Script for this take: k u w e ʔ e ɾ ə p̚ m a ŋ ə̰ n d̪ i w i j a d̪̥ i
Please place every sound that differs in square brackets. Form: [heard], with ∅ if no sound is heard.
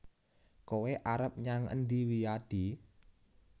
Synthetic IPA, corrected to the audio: k [o] w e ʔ [a] ɾ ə p̚ [ɲ] a ŋ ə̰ n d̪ i w i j a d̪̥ i